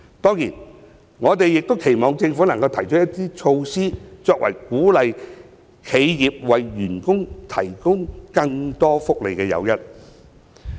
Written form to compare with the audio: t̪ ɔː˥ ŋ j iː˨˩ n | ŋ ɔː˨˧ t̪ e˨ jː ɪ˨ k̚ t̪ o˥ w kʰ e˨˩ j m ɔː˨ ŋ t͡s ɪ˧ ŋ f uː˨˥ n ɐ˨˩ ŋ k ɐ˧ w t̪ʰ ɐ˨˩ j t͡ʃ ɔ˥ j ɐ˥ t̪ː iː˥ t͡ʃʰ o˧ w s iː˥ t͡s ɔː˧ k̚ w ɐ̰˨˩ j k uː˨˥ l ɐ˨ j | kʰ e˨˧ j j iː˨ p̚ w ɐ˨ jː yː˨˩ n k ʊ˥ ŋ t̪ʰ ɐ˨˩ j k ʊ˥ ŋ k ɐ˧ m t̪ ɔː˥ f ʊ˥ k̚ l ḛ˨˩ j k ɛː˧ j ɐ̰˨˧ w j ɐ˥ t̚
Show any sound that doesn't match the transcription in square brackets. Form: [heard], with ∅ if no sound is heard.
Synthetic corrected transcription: t̪ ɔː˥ ŋ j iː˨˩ n | ŋ ɔː˨˧ t̪ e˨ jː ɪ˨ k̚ t̪ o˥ w kʰ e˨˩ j m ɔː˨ ŋ t͡s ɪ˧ ŋ f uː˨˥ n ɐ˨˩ ŋ k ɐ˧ w t̪ʰ ɐ˨˩ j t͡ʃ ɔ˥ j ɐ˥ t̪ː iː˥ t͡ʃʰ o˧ w s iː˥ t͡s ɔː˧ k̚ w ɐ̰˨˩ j k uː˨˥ l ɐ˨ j | kʰ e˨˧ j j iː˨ p̚ w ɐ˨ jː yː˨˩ n k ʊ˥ ŋ t̪ʰ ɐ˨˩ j k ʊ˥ ŋ k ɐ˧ [ŋ] t̪ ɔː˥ f ʊ˥ k̚ l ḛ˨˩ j k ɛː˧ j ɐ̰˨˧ w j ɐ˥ t̚